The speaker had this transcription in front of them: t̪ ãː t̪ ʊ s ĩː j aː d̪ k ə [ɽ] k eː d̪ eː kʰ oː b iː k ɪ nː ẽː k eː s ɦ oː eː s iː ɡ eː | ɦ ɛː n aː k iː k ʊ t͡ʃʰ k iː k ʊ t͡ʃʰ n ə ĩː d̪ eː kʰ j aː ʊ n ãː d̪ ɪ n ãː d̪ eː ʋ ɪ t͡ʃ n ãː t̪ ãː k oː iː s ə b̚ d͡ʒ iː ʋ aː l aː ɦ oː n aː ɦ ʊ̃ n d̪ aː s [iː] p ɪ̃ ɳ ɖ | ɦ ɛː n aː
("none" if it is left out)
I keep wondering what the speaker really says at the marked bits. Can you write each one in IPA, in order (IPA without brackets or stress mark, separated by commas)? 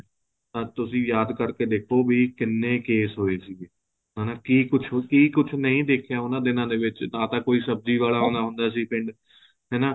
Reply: ɾ, iː